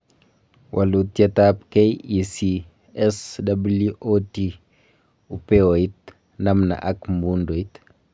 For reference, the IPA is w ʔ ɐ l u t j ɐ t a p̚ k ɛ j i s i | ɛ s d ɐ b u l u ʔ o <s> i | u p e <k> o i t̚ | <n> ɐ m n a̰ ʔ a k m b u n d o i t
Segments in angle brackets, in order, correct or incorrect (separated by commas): incorrect, incorrect, correct